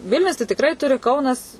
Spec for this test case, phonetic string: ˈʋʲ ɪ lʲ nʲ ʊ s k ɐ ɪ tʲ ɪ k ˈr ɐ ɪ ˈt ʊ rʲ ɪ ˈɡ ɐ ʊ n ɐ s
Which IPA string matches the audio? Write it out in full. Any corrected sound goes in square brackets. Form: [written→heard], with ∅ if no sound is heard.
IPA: ˈʋʲ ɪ lʲ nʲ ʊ s [k→t] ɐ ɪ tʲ ɪ k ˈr ɐ ɪ ˈt ʊ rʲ ɪ [ˈɡ→ˈk] ɐ ʊ n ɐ s